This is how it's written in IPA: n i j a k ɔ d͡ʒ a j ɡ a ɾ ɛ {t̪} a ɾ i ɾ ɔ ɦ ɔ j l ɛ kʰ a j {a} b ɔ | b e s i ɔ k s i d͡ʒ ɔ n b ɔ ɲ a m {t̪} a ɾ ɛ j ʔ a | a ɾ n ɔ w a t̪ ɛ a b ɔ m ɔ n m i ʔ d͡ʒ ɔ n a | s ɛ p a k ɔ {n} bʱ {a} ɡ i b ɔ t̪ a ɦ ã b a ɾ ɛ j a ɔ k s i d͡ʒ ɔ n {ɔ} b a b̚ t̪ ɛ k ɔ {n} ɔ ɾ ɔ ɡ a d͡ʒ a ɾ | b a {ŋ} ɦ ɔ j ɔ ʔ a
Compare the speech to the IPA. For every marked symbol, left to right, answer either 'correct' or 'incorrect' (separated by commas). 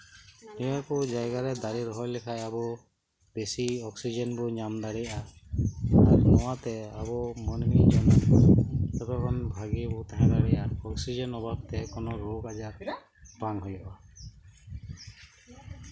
incorrect, correct, incorrect, correct, correct, correct, correct, correct